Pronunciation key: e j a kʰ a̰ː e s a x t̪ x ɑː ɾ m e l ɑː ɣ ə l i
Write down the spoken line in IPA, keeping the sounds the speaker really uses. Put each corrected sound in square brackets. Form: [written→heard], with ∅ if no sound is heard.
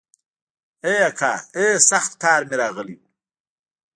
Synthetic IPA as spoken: e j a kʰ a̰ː e s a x t̪ [x→k] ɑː ɾ m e [l→ɾ] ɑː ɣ ə l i

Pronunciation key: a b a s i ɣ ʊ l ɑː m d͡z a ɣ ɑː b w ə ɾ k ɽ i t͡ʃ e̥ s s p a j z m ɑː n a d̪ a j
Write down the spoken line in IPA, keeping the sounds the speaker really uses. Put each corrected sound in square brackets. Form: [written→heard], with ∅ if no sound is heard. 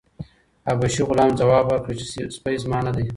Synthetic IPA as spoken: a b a [s→ʃ] i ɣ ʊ l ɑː m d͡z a [ɣ→w] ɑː b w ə ɾ k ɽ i t͡ʃ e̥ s s p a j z m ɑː n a d̪ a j

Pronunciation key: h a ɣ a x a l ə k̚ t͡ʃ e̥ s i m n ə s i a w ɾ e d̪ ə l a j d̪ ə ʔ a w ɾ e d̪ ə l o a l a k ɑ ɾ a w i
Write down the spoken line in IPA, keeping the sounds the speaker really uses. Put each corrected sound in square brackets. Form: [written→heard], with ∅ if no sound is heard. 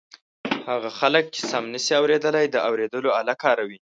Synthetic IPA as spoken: h a ɣ a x a l ə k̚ t͡ʃ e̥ s [i→a] m n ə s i a w ɾ e d̪ ə l a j d̪ ə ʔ a w ɾ e d̪ ə l o a l a k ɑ ɾ a w i

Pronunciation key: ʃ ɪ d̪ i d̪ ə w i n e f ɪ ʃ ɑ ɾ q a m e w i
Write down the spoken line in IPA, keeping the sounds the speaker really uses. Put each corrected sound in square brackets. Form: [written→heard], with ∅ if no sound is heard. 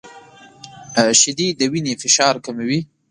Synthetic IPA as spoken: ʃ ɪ d̪ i d̪ ə w i n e f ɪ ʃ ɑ ɾ [q→k] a m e w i

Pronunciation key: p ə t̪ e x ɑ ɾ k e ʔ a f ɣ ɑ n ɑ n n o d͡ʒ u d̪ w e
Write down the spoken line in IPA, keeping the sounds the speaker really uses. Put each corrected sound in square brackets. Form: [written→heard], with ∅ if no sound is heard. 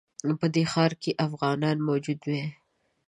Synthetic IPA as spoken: p ə [t̪→d̪] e x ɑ ɾ k e ʔ a f ɣ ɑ n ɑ n [n→m] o d͡ʒ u d̪ w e

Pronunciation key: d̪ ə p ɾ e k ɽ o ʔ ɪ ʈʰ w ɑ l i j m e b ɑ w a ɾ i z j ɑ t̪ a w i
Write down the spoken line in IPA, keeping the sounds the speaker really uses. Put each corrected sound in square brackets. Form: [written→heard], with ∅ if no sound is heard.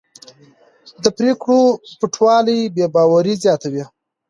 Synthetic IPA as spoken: d̪ ə p ɾ e k ɽ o [ʔ→p] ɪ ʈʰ w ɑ l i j [m→b] e b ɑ w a ɾ i z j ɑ t̪ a w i

